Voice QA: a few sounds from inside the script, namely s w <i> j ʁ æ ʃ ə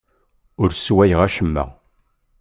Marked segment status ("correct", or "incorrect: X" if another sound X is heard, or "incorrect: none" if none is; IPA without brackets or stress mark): incorrect: æ